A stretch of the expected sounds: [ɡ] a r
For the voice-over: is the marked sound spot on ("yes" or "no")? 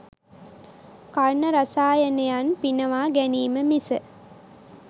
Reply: no